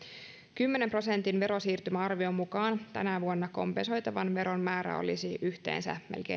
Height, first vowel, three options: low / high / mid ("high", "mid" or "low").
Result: high